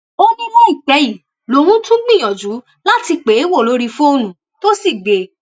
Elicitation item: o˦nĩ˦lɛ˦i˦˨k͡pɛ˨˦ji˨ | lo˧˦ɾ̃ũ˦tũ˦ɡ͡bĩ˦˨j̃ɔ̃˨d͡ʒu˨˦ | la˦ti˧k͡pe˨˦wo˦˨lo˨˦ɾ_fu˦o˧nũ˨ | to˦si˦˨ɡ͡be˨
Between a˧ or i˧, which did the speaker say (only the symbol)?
i˧